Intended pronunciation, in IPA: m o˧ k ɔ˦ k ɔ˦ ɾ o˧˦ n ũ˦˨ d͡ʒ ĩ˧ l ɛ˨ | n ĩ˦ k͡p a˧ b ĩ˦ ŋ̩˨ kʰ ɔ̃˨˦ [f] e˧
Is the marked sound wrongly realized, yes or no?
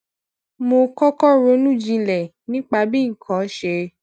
yes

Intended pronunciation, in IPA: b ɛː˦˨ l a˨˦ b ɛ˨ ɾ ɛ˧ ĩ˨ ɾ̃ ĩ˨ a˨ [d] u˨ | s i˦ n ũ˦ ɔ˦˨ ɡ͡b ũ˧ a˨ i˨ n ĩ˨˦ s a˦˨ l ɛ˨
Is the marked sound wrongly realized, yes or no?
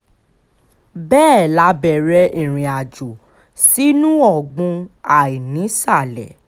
yes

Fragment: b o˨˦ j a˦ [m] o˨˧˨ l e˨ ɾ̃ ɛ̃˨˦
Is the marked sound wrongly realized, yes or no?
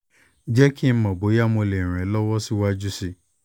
no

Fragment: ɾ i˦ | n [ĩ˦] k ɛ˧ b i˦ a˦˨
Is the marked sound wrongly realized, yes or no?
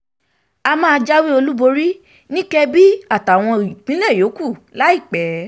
no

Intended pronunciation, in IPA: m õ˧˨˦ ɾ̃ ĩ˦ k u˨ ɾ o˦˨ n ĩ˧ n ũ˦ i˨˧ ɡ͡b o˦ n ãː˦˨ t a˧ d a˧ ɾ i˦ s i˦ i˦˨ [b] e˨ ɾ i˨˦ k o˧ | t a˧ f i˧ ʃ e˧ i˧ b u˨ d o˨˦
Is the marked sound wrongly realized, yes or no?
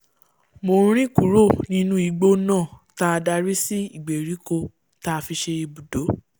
yes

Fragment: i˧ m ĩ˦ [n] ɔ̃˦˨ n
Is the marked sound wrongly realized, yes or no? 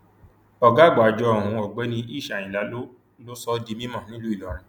yes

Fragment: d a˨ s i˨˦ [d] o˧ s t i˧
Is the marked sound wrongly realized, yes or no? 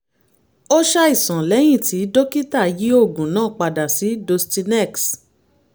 no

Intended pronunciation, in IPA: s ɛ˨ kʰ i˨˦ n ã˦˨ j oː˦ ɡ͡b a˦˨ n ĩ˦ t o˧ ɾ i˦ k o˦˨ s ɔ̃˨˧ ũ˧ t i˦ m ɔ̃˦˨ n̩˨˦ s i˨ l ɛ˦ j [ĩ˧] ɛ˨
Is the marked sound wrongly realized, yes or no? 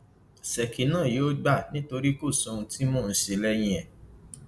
no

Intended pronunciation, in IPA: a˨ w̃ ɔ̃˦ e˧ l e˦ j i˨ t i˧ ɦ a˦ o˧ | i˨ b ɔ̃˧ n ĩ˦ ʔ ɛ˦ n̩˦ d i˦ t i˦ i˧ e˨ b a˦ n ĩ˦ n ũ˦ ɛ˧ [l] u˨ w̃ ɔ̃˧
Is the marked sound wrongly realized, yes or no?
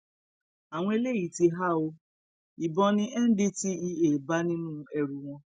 yes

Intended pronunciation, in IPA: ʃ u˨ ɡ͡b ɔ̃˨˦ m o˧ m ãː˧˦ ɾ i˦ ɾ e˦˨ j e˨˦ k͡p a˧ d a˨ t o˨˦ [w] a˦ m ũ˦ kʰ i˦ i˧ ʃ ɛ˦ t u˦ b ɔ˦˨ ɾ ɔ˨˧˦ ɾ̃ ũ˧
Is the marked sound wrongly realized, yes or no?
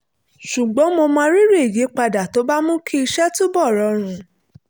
yes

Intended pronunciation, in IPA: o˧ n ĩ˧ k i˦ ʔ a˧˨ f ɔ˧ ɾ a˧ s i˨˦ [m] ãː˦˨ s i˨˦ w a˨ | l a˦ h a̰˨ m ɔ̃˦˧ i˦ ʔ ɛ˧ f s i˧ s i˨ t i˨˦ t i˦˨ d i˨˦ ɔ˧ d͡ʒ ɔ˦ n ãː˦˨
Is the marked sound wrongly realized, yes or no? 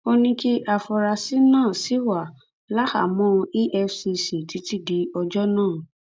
yes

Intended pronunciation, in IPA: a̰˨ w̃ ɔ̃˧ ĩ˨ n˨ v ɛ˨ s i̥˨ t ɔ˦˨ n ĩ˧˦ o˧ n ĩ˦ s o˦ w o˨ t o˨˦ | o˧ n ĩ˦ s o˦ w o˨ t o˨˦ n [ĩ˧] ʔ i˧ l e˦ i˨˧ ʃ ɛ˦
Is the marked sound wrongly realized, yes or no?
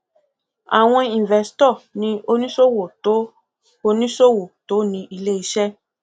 no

